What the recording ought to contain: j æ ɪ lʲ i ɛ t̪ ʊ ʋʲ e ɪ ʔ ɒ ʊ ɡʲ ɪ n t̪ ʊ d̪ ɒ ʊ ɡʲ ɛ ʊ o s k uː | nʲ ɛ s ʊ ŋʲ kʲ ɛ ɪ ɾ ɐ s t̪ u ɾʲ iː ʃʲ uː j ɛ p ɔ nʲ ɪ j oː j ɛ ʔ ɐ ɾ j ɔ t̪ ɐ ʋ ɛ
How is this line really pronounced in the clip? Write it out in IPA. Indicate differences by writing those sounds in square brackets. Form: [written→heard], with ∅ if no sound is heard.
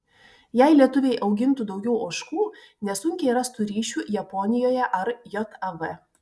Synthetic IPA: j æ ɪ lʲ i ɛ t̪ ʊ ʋʲ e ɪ ʔ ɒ ʊ ɡʲ ɪ n t̪ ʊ d̪ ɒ ʊ ɡʲ ɛ ʊ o [s→ʃ] k uː | nʲ ɛ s ʊ ŋʲ kʲ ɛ ɪ ɾ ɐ s t̪ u ɾʲ iː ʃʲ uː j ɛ p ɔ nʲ ɪ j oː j ɛ ʔ ɐ ɾ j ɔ t̪ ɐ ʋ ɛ